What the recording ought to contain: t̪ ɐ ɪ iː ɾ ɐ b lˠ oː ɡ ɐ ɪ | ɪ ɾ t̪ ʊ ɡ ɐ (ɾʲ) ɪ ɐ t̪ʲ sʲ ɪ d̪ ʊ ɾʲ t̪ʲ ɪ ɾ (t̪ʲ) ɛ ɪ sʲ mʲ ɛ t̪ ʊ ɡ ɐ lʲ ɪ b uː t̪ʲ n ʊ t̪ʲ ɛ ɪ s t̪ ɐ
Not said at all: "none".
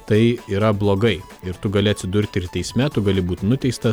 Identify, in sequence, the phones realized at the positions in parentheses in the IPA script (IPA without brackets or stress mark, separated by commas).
lʲ, t̪ʲ